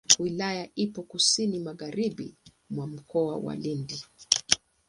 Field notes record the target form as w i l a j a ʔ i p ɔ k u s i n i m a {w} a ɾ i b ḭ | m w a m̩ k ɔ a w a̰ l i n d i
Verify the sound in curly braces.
incorrect: ɣ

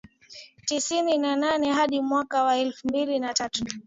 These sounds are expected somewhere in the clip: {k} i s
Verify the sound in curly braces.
incorrect: t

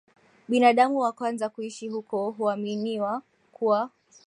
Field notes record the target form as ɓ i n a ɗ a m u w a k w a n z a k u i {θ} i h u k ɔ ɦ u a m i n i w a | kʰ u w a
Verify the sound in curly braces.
incorrect: ʃ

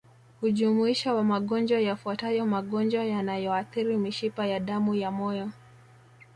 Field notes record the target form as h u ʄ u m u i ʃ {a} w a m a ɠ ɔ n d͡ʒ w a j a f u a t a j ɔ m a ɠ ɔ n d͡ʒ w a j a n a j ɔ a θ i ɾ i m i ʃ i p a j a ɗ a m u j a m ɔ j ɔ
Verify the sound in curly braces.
correct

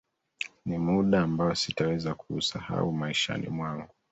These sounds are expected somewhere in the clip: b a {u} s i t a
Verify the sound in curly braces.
incorrect: ɔ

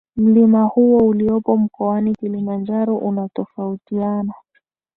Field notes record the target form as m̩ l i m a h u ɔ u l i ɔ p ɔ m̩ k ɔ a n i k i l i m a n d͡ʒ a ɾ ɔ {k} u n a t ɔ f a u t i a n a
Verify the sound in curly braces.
incorrect: ʔ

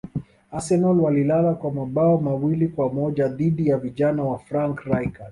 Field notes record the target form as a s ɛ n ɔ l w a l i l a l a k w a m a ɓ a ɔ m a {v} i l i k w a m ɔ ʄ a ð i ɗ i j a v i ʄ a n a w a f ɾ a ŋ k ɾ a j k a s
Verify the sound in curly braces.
incorrect: w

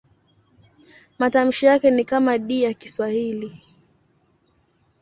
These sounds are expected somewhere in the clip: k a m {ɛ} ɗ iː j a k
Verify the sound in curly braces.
incorrect: a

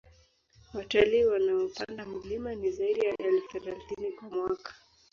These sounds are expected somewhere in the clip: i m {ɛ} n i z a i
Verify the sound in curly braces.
incorrect: a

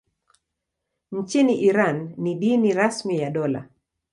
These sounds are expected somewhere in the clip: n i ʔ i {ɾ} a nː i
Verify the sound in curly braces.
correct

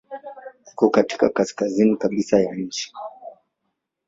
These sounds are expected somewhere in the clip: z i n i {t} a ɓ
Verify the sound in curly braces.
incorrect: k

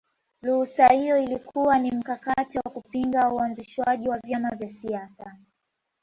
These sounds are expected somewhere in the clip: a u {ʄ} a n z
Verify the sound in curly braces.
incorrect: none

